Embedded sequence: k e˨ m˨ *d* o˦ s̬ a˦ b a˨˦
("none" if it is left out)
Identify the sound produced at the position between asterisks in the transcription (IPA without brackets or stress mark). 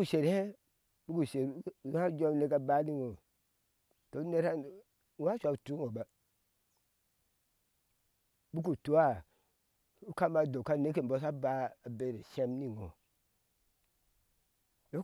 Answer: b